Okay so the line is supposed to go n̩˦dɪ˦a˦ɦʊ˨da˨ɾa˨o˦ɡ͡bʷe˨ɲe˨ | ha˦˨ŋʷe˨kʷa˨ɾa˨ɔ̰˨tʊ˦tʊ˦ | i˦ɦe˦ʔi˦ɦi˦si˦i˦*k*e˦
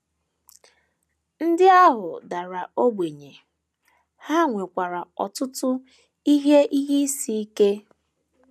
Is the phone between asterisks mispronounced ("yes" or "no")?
no